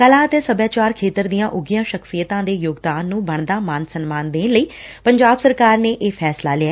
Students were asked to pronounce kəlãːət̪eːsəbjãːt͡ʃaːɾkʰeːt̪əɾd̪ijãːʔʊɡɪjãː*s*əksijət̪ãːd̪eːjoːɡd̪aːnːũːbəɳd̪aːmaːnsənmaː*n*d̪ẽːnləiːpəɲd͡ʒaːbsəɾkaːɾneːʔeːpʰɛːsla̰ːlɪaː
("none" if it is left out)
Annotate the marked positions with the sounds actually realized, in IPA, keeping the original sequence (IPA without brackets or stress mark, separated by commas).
ʃ, n